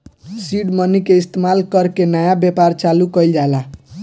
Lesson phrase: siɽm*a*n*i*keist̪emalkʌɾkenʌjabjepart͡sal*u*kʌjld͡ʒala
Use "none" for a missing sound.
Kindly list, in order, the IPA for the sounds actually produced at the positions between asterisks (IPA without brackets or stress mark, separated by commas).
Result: ʌ, i, u